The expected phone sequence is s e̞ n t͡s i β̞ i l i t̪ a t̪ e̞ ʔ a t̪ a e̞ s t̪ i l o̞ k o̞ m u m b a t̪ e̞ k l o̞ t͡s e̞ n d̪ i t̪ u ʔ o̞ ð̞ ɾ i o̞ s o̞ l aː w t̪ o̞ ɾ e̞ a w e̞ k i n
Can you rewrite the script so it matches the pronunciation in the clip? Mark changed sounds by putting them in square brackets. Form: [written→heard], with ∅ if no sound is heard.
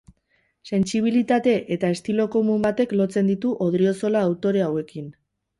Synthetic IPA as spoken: s e̞ n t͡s i β̞ i l i t̪ a t̪ e̞ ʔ [a→e] t̪ a e̞ s t̪ i l o̞ k o̞ m u m b a t̪ e̞ k l o̞ t͡s e̞ n d̪ i t̪ u ʔ o̞ ð̞ ɾ i o̞ s o̞ l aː w t̪ o̞ ɾ e̞ a w e̞ k i n